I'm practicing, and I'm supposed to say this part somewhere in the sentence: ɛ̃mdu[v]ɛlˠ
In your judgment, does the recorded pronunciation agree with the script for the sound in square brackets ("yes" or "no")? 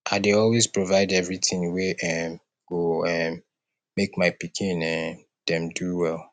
no